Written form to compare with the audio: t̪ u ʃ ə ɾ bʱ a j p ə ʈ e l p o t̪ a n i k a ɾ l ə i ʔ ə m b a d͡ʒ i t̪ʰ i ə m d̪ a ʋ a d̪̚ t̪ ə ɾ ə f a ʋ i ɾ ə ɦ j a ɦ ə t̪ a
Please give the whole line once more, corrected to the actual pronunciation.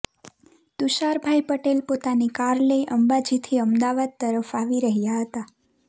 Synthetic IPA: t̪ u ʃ a ɾ bʱ a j p ə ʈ e l p o t̪ a n i k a ɾ l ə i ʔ ə m b a d͡ʒ i t̪ʰ i ə m d̪ a ʋ a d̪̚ t̪ ə ɾ ə f a ʋ i ɾ ə ɦ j a ɦ ə t̪ a